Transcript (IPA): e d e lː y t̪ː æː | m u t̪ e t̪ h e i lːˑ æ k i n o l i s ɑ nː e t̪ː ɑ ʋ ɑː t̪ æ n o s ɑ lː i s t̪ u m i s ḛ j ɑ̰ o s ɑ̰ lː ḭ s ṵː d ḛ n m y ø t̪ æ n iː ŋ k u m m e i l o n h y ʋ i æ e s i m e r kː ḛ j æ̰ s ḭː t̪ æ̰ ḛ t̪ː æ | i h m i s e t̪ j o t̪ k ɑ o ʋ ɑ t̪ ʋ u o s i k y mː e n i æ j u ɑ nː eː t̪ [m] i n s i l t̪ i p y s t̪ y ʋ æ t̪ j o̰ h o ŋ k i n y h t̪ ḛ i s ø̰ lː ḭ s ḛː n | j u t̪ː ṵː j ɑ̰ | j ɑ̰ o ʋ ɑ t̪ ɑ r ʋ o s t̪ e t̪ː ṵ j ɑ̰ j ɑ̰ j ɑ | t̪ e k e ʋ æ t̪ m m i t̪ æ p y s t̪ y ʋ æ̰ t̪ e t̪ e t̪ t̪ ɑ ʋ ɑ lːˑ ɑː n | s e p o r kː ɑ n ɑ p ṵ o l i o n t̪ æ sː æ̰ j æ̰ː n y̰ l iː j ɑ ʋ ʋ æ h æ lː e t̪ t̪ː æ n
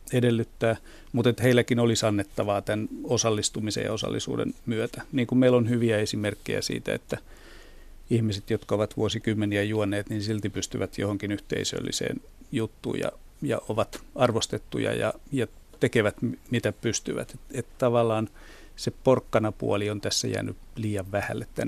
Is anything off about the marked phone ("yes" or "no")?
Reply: yes